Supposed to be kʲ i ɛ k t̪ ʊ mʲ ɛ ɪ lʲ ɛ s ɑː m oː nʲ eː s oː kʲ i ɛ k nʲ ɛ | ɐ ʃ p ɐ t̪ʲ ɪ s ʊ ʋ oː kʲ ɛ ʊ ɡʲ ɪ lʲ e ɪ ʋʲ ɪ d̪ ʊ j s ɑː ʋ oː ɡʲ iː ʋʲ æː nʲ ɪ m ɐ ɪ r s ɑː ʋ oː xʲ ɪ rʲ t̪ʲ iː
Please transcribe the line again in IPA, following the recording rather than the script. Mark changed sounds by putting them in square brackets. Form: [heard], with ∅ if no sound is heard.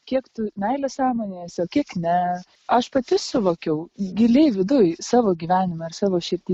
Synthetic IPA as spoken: kʲ i ɛ k t̪ ʊ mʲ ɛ ɪ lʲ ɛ s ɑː m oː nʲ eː s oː kʲ i ɛ k nʲ ɛ | ɐ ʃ p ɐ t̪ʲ ɪ s ʊ ʋ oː kʲ ɛ ʊ ɡʲ ɪ lʲ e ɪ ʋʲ ɪ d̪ ʊ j s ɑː ʋ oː ɡʲ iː ʋʲ æː nʲ ɪ m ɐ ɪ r s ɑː ʋ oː [ʃʲ] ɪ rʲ t̪ʲ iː